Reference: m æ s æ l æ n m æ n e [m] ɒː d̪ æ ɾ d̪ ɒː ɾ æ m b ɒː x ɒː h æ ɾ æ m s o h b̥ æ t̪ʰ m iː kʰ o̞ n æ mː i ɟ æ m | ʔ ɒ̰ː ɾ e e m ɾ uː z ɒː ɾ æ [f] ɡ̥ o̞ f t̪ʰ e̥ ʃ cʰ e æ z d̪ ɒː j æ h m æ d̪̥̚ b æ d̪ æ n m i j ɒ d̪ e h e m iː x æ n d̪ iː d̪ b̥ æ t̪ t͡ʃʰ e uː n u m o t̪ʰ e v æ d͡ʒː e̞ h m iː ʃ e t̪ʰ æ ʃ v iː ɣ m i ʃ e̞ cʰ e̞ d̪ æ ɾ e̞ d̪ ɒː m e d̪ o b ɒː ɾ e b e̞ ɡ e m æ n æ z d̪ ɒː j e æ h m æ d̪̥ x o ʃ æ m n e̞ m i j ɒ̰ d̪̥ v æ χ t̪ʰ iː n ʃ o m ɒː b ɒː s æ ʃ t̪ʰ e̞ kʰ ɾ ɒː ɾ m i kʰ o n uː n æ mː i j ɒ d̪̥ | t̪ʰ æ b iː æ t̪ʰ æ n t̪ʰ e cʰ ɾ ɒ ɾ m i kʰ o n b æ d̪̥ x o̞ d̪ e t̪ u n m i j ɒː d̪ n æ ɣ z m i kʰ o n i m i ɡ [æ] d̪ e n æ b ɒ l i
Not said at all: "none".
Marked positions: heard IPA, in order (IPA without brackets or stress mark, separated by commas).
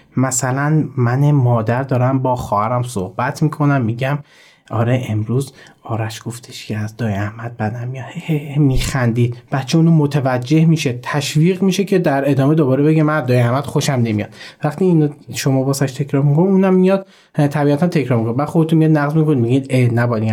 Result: m, ʃ, i